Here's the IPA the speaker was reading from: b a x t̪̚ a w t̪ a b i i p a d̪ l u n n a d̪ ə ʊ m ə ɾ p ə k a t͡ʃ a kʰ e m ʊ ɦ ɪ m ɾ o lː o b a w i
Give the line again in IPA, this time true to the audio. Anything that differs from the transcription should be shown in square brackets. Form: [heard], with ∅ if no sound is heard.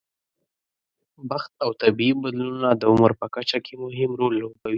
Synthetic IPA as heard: b a x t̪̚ a w t̪ a b i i [b] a d̪ l u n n a d̪ ə ʊ m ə ɾ p ə k a t͡ʃ a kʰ e m ʊ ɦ ɪ m ɾ o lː o b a w i